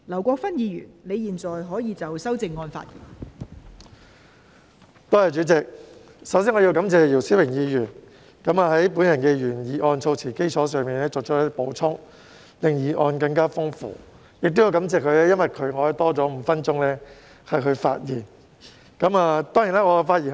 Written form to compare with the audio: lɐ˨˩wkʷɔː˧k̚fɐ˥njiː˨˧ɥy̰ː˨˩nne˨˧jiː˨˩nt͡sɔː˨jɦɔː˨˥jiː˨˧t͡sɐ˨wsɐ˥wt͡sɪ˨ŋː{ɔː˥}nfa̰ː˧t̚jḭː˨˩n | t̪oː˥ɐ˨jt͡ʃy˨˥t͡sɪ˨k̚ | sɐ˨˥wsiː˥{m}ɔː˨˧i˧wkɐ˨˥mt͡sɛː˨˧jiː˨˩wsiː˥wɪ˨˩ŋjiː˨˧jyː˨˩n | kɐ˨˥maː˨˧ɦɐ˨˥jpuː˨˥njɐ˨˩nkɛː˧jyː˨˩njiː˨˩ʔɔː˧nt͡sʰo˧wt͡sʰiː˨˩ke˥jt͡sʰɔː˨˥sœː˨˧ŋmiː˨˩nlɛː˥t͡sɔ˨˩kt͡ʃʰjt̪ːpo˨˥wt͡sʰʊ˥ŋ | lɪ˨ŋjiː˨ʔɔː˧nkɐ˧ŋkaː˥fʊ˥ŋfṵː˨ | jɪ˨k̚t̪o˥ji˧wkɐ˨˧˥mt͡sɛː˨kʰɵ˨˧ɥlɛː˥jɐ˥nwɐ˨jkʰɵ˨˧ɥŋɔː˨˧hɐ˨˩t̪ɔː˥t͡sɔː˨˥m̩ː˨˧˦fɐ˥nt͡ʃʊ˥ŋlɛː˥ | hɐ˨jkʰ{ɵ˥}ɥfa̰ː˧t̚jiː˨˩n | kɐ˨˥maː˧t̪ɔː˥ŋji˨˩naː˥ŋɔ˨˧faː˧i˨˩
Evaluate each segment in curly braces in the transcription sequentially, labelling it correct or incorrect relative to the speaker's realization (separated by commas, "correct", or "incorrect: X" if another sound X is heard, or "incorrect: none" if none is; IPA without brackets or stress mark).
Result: incorrect: ɔː˧, incorrect: ŋ, incorrect: ɵ˨˧